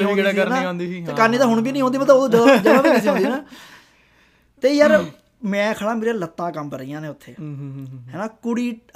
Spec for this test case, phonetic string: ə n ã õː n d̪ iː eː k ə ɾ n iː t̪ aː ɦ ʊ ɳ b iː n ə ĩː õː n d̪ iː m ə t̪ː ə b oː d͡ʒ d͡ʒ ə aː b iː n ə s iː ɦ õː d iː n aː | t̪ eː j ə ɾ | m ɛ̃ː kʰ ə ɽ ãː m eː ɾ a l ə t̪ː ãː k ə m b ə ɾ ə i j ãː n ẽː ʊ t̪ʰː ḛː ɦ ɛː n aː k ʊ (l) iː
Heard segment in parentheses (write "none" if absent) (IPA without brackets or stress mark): ɽ